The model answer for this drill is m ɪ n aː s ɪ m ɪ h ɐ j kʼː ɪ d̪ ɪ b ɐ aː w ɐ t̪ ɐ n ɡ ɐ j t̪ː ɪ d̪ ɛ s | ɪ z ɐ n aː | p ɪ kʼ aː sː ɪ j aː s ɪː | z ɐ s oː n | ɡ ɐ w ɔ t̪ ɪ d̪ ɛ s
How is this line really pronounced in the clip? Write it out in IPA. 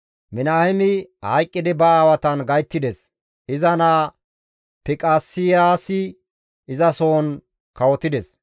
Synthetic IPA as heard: m ɪ n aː h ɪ m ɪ h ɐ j kʼː ɪ d̪ ɪ b ɐ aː w ɐ t̪ ɐ n ɡ ɐ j t̪ː ɪ d̪ ɛ s | ɪ z ɐ n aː | p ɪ kʼ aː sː ɪ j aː s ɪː | z ɐ s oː n | k ɐ w ɔ t̪ ɪ d̪ ɛ s